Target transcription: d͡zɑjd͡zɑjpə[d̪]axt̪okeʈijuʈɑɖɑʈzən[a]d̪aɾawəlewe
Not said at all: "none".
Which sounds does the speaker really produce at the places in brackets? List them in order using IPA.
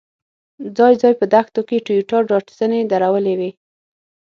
d̪, e

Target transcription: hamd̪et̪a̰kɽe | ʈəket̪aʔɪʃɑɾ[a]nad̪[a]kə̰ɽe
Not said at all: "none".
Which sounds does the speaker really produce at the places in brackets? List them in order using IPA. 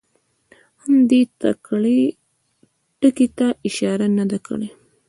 a, a

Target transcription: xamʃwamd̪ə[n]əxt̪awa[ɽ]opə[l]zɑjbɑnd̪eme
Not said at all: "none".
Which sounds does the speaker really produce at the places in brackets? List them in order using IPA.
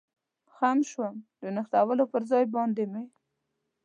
n, l, ɾ

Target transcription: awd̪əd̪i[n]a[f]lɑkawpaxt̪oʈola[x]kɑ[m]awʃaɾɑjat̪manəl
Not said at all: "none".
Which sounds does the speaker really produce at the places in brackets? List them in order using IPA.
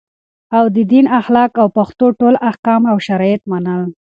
n, x, h, m

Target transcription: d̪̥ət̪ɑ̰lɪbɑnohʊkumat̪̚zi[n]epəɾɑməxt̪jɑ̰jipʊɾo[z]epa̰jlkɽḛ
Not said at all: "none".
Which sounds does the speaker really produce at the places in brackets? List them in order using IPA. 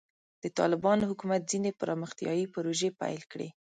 n, ʒ

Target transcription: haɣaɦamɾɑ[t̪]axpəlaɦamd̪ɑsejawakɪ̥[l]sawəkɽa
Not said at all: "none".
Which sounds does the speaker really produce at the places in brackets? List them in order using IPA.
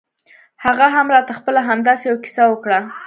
t̪, none

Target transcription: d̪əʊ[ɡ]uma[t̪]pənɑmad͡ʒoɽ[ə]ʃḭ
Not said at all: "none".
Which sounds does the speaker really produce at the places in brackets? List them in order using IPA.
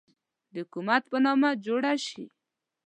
k, t̪, a

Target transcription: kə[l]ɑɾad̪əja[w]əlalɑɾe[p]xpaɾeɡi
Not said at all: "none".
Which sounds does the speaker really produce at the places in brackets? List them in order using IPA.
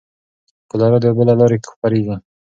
l, b, k

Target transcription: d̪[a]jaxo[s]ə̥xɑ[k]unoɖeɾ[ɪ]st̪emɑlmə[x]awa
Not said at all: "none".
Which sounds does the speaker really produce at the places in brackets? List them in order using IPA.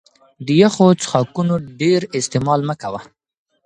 ə, t͡s, k, ɪ, k

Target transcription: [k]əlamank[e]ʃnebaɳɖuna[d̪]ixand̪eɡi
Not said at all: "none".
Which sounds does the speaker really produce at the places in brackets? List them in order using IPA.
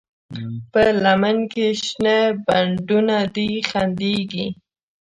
p, e, d̪

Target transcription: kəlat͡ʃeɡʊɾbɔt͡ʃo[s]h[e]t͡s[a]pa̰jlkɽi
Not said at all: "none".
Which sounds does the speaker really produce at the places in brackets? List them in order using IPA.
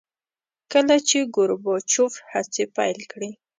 f, a, e

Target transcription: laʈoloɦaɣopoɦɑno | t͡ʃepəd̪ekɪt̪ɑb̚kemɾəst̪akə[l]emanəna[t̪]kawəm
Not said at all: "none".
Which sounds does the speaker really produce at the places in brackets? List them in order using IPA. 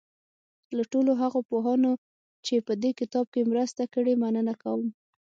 ɽ, none

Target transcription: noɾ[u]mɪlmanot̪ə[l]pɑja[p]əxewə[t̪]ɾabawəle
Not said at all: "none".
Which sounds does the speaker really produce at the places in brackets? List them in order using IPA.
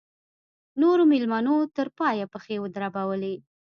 o, ɾ, p, d̪

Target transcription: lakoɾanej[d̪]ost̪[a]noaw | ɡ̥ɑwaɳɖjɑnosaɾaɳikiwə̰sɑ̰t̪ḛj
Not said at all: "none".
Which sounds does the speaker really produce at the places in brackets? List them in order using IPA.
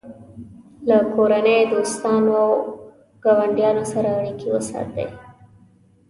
d̪, ɑ

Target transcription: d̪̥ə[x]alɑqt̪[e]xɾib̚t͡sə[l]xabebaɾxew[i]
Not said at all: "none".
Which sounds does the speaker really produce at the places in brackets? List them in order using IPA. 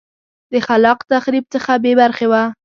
x, a, none, a

